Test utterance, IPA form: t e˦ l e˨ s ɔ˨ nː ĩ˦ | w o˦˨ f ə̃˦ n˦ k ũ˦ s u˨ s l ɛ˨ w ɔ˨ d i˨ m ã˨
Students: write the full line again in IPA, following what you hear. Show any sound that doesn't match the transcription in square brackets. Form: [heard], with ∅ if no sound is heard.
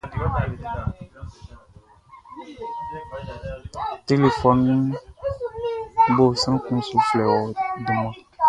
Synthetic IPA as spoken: t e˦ l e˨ [f] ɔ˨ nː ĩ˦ | [b] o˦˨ [s] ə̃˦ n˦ k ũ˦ s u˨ [f] l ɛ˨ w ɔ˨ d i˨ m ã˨